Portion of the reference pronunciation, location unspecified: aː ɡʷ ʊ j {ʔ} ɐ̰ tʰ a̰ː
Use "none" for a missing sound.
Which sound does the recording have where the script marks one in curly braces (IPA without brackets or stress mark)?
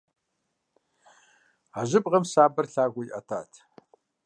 ʔ